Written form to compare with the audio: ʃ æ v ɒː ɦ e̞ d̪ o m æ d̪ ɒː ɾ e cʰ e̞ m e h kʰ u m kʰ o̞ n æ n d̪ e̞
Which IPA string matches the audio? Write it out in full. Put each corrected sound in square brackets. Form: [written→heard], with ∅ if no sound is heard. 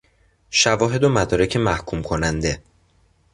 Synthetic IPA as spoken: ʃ æ v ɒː ɦ e̞ d̪ o m æ d̪ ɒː ɾ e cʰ e̞ m [e→æ] h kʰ u m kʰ o̞ n æ n d̪ e̞